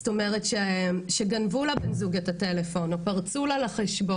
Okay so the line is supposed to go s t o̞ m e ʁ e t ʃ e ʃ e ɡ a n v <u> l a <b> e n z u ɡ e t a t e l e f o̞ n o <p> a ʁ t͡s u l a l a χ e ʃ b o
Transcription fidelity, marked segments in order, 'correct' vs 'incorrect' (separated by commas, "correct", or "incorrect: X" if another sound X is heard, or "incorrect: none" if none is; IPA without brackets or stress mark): correct, correct, correct